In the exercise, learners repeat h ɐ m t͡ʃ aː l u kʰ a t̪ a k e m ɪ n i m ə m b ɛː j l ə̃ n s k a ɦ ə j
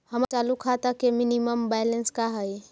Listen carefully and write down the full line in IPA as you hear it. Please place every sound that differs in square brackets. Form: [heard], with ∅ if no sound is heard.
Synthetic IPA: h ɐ m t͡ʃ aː l u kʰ a t̪ a k e m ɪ n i m ə m b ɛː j l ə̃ n s k a ɦ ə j